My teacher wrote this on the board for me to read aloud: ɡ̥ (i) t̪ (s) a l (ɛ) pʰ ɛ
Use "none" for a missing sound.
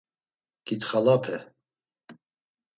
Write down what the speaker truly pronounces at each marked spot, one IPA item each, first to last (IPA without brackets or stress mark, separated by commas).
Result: i, χ, a